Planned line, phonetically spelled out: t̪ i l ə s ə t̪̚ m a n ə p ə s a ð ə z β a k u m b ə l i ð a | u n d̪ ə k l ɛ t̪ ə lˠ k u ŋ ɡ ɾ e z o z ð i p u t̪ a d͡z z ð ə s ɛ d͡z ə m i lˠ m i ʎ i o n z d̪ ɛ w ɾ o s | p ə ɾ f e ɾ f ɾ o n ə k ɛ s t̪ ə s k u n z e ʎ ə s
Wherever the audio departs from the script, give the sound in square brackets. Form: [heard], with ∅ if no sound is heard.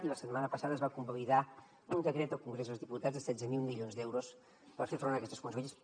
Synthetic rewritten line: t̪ i l ə s ə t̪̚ m a n ə p ə s a ð ə z β a k u m b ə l i ð a | u n d̪ ə k [ɾ] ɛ t̪ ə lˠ k u ŋ ɡ ɾ e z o z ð i p u t̪ a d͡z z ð ə s ɛ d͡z ə m i lˠ m i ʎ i o n z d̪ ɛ w ɾ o s | p ə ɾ f e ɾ f ɾ o n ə k ɛ s t̪ ə s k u n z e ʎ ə s